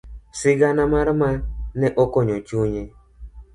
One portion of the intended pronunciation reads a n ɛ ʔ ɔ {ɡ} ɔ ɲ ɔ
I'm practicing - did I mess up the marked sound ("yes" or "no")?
yes